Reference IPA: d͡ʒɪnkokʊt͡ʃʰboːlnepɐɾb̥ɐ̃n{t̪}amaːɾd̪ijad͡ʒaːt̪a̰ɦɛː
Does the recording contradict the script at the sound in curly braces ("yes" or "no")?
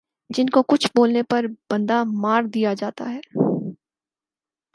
yes